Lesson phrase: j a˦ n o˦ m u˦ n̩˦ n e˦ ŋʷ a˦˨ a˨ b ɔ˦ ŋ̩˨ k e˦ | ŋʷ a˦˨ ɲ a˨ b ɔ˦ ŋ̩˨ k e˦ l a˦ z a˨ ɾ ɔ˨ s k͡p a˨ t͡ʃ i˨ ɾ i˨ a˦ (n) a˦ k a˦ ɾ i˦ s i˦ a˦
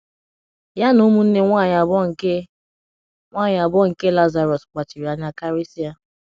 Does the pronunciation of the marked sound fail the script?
yes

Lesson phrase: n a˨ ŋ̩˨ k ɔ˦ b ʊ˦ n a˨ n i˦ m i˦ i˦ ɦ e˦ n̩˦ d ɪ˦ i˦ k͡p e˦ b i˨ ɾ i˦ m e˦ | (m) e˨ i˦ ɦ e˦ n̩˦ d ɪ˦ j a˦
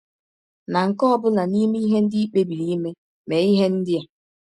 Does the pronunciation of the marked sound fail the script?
no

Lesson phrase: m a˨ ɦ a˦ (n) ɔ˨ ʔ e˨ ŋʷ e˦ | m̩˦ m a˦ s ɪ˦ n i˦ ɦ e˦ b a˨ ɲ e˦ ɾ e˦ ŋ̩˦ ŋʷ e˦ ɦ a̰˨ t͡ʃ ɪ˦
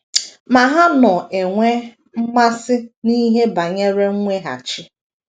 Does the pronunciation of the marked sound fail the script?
no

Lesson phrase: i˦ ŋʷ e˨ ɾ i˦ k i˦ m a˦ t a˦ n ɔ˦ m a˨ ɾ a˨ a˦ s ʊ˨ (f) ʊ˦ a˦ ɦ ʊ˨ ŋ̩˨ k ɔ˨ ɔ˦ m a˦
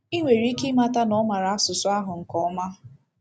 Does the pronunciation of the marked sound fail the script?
yes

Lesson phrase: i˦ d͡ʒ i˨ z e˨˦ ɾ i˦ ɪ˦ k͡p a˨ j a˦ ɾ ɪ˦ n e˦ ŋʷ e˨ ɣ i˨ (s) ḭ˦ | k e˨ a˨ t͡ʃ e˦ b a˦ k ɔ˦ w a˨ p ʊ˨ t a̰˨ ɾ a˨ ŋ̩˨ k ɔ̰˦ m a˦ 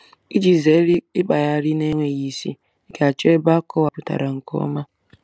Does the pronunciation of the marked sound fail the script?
no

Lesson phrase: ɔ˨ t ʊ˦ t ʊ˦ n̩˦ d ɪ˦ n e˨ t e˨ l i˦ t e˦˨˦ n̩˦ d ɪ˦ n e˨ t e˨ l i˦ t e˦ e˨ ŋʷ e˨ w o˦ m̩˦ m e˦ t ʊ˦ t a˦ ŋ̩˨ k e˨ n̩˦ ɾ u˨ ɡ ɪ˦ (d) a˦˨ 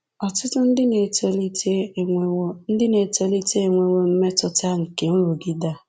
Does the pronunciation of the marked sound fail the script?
no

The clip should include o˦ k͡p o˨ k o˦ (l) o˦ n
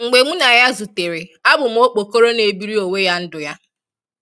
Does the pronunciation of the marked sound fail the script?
yes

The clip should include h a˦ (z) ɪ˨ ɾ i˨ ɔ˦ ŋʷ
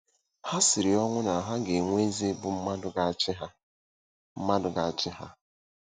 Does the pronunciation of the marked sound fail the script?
yes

